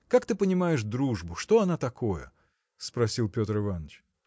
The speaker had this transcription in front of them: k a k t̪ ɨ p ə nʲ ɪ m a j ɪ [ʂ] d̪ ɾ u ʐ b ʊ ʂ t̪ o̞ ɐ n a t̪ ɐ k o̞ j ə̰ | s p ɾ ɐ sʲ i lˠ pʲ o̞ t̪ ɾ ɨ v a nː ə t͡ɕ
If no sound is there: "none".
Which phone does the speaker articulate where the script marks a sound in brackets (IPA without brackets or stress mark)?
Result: ʂ